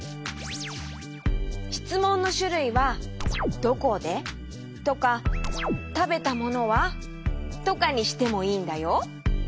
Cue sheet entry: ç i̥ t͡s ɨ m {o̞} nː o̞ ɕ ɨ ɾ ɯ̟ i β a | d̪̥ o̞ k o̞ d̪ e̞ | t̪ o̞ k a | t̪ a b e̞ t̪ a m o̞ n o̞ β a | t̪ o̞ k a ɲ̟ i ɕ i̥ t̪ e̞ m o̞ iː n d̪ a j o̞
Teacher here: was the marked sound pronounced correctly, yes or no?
no